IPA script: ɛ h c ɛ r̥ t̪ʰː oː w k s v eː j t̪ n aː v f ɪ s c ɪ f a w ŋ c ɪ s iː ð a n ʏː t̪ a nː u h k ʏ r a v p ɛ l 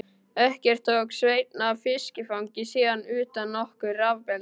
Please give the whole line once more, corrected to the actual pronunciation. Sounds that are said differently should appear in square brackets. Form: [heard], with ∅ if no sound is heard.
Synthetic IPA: ɛ h c ɛ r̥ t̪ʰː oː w k s v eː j t̪ n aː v f ɪ s c ɪ f a w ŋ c ɪ s iː ð a n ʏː t̪ a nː [ɔ] h k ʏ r a v p ɛ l